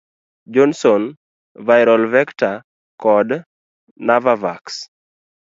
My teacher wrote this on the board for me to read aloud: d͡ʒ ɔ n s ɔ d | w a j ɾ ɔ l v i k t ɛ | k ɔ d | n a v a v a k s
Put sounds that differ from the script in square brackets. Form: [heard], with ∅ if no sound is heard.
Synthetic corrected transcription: d͡ʒ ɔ n s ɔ [n] | [v] a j ɾ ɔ l v [ɛ] k t [a] | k ɔ d | n a v a v a k s